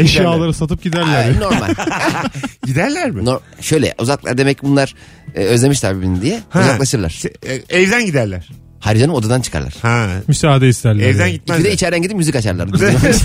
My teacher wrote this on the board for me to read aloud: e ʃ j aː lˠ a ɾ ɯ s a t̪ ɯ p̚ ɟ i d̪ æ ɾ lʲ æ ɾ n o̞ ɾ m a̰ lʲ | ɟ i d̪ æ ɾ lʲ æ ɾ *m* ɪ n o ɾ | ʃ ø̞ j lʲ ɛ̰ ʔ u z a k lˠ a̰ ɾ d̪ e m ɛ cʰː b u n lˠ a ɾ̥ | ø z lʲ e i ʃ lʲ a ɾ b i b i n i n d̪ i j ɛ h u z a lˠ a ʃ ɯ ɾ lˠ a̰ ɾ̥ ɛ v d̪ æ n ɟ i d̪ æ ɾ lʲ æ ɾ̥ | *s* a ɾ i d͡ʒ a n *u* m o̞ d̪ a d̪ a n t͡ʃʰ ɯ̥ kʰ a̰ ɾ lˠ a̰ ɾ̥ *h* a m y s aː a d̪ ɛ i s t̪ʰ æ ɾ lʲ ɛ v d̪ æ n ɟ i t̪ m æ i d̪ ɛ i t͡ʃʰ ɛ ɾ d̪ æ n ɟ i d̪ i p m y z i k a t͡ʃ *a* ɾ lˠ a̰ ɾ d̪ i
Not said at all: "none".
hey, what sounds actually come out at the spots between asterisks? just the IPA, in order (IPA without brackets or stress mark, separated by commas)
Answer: m, h, ɯ, h, a